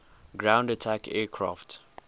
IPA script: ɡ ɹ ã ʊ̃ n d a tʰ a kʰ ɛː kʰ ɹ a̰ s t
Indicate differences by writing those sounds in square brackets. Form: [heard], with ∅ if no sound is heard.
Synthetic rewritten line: ɡ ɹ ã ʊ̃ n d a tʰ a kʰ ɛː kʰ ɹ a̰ [f] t